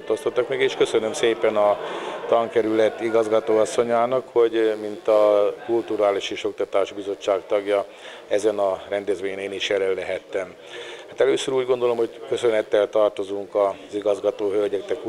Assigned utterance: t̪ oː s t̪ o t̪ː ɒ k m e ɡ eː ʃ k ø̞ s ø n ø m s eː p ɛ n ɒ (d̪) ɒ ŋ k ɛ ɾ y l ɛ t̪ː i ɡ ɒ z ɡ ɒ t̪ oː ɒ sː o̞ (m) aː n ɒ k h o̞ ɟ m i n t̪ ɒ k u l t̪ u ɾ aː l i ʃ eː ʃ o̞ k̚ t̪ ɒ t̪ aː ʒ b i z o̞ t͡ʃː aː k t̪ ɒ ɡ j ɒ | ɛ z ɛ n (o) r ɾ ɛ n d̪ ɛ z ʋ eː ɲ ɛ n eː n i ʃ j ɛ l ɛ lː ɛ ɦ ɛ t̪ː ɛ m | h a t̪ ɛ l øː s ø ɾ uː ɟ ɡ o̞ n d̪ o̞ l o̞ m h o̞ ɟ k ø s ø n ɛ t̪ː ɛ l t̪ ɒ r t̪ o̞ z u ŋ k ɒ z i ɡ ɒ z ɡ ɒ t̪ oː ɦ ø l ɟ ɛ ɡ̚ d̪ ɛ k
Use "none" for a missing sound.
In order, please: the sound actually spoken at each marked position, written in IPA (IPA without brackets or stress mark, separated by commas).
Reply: t̪, ɲ, ɒ